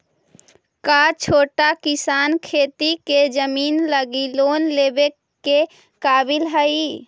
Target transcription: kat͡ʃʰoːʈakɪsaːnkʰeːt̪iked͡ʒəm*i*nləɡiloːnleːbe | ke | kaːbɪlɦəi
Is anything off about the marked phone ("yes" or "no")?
yes